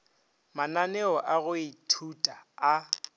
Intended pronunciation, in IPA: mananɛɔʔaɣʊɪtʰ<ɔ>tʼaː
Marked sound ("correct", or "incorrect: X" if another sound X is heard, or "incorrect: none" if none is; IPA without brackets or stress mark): incorrect: u